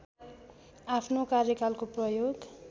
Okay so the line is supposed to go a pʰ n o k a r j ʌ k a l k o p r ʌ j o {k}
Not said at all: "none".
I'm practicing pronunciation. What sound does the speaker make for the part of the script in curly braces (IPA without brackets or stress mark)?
ɡ